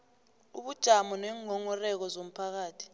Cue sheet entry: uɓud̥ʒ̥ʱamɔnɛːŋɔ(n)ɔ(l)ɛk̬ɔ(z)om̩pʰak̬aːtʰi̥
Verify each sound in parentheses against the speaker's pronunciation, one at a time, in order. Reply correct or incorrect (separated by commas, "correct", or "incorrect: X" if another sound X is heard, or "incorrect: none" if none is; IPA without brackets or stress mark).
incorrect: ŋ, incorrect: r, correct